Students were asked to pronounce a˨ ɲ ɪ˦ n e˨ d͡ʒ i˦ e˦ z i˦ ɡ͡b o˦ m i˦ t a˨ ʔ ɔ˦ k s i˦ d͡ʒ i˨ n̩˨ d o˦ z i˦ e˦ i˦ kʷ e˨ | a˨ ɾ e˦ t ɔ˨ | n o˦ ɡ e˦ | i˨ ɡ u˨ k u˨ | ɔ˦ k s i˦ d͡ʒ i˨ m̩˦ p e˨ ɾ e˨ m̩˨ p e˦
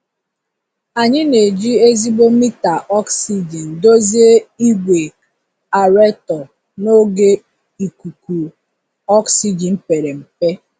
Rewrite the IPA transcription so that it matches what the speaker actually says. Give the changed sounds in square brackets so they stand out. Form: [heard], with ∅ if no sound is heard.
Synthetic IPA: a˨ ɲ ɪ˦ n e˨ d͡ʒ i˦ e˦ z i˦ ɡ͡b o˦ m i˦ t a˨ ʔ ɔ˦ k s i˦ d͡ʒ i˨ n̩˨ d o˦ z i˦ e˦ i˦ [ɡʷ] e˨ | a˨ ɾ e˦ t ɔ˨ | n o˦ ɡ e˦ | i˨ [k] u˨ k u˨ | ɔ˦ k s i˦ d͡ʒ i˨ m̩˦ p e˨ ɾ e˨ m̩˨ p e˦